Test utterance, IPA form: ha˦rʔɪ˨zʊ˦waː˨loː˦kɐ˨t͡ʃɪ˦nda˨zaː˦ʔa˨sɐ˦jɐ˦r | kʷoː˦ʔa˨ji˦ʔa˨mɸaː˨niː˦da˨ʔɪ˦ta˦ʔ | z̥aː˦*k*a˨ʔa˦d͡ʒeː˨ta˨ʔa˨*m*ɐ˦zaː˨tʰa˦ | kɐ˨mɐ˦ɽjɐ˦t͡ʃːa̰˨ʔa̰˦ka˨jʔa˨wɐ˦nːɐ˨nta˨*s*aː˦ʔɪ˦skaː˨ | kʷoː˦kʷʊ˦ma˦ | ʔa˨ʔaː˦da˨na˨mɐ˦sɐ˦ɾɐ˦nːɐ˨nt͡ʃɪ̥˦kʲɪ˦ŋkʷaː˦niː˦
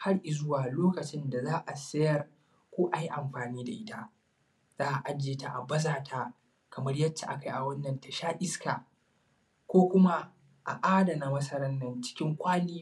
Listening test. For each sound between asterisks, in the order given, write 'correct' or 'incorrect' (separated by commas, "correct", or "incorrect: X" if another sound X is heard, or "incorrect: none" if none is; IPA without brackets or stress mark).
incorrect: ʔ, incorrect: b, incorrect: ʃ